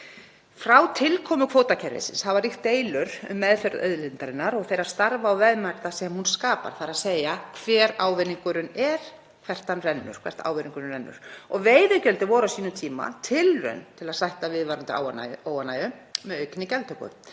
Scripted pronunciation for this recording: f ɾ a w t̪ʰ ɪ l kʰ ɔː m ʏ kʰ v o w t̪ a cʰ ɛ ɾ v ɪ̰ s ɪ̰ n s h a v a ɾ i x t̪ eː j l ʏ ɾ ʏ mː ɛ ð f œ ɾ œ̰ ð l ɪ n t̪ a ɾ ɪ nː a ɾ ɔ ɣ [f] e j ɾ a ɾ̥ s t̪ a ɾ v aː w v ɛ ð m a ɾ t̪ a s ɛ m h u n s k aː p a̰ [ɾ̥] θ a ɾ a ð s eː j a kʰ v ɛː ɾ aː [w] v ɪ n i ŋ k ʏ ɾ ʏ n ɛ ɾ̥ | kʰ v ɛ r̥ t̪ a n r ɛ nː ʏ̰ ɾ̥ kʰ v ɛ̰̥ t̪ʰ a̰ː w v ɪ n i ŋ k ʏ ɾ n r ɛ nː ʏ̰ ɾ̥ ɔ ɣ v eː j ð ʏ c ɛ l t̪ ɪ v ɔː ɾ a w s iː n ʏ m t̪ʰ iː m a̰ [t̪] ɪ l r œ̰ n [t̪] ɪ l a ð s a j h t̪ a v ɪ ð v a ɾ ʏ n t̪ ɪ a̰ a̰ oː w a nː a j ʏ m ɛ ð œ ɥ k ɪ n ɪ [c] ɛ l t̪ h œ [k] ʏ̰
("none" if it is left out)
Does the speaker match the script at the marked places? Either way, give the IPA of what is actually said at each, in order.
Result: θ, ɾ̥, w, t̪ʰ, t̪ʰ, c, k

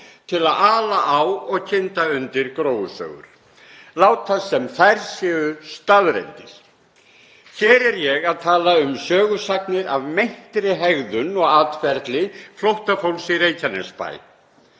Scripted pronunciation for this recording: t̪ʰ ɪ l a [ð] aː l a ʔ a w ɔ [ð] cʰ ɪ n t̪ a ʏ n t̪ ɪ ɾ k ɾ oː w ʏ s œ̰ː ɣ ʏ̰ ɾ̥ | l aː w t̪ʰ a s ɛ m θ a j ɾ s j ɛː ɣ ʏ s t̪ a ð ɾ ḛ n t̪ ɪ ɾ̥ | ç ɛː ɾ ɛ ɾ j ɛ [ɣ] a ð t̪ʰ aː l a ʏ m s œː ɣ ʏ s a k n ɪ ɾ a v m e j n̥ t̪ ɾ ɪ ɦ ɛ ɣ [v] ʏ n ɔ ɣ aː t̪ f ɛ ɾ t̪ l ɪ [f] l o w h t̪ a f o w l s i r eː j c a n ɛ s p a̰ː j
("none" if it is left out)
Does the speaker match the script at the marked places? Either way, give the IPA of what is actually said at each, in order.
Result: ð, ɣ, ɣ, ð, f

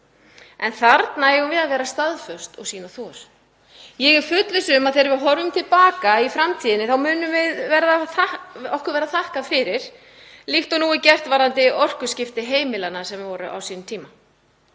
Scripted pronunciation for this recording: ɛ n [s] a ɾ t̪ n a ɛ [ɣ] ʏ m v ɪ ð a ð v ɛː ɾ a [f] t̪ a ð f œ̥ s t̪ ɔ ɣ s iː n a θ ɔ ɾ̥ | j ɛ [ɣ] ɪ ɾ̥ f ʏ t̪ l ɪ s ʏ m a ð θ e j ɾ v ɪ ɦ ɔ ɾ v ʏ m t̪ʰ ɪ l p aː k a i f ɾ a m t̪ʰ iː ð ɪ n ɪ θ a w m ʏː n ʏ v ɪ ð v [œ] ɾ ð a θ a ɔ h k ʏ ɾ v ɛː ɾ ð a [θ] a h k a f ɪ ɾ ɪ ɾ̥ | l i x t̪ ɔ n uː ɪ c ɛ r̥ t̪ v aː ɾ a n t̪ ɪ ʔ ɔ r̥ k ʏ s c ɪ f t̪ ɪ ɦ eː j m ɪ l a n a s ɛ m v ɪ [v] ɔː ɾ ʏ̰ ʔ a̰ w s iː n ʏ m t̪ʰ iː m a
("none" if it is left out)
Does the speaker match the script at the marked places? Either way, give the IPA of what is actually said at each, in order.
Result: θ, ɣ, s, ɣ, ɛ, θ, v

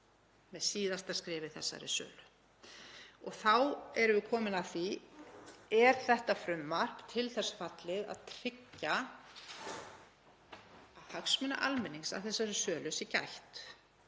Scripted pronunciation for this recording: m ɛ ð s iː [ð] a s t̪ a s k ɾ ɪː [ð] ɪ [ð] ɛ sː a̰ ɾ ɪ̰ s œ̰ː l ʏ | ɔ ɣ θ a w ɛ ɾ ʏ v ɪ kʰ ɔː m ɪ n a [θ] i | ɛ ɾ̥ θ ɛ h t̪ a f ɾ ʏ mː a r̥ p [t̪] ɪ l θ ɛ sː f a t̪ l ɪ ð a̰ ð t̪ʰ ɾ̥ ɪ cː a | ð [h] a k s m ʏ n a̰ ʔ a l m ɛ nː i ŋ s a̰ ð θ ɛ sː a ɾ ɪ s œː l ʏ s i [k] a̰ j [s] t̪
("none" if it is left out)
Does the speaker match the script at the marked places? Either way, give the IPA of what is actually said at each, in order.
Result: ð, v, θ, θ, t̪ʰ, h, c, h

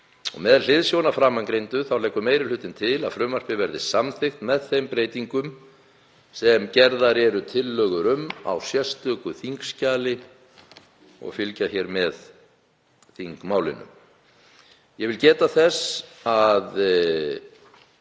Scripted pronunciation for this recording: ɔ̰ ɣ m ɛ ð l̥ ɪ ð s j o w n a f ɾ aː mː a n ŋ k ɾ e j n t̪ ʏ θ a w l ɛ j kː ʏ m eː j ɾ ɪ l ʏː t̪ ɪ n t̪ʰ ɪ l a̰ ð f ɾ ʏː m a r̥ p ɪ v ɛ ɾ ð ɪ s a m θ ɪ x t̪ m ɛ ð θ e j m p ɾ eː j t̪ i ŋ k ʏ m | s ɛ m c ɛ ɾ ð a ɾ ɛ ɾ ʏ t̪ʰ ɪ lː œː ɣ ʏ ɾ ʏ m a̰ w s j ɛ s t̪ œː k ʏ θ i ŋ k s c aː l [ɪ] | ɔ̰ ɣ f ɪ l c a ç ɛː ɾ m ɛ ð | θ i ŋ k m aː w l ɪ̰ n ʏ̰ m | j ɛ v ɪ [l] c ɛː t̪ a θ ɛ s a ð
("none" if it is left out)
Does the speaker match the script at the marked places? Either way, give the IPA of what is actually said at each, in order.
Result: ɪ, l

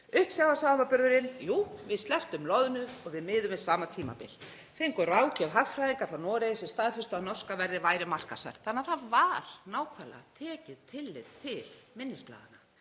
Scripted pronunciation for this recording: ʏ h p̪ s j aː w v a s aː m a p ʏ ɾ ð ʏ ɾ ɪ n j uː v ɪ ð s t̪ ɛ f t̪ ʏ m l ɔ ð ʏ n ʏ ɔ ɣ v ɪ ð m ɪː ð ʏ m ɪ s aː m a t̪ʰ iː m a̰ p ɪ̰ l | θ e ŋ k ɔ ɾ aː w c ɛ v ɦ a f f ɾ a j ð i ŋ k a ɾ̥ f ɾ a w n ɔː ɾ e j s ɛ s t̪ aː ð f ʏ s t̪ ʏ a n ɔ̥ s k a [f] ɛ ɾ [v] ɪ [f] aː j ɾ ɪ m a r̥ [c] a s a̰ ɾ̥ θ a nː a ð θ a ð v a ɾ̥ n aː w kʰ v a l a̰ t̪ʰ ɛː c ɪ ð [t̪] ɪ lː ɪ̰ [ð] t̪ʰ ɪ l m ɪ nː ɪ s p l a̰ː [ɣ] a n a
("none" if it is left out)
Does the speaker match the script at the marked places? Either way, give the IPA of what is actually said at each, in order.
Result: v, ð, v, k, t̪ʰ, ð, ð

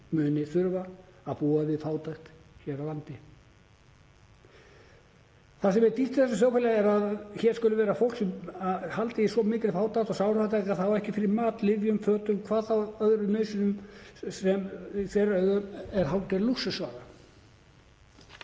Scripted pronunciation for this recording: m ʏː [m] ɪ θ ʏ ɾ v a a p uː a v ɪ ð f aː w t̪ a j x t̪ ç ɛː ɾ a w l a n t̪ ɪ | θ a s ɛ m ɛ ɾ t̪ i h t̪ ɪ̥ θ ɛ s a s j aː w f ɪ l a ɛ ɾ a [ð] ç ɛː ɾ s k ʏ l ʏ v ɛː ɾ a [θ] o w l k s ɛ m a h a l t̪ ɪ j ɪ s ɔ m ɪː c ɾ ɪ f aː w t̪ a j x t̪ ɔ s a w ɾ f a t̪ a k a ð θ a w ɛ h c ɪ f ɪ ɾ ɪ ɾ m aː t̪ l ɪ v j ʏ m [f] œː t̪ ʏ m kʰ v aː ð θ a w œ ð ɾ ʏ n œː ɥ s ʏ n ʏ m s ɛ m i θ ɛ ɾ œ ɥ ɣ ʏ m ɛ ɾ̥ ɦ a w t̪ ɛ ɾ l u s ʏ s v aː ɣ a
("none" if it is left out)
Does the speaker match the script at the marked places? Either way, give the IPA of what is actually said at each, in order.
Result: n, ð, f, f

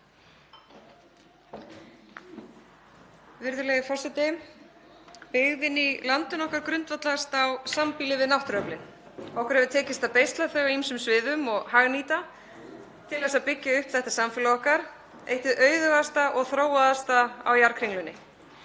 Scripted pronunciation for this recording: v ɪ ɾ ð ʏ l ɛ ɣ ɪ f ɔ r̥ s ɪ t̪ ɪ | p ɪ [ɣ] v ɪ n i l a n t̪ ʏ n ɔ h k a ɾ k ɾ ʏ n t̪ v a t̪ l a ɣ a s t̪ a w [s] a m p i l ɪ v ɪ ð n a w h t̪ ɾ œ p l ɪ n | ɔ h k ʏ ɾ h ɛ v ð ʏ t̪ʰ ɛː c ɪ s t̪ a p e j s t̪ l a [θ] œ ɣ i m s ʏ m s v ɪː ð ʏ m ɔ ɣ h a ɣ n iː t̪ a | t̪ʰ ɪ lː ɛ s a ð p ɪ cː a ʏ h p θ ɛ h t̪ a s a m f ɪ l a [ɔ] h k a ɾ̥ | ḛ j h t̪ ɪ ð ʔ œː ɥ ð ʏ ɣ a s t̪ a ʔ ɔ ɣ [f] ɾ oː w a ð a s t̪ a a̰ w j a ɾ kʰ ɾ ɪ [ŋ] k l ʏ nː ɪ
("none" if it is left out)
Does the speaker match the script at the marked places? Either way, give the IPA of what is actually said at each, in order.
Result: ɣ, s, θ, ɔ, θ, ŋ

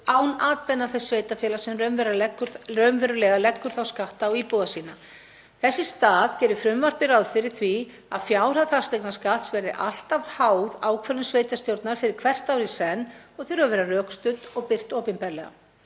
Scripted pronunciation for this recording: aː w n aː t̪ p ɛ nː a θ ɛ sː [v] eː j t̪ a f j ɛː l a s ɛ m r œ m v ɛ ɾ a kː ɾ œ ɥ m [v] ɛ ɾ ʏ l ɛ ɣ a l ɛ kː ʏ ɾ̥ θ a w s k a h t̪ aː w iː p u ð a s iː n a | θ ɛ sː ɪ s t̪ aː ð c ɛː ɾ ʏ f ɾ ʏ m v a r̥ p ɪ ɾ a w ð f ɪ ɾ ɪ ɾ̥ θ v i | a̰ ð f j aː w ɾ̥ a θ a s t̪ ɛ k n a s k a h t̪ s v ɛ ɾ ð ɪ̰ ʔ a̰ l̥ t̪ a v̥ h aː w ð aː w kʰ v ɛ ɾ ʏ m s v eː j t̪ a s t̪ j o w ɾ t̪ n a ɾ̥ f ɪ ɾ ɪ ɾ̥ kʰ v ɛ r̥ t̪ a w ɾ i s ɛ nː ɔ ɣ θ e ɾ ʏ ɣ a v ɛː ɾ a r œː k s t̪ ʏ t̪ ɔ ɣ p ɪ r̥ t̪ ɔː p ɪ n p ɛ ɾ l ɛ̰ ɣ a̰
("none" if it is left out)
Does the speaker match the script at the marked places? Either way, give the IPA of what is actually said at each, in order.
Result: v, v

